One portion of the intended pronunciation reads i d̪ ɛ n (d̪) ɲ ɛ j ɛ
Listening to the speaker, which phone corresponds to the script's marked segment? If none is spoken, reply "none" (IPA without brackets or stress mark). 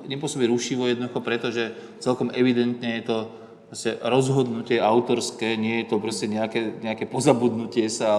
t̪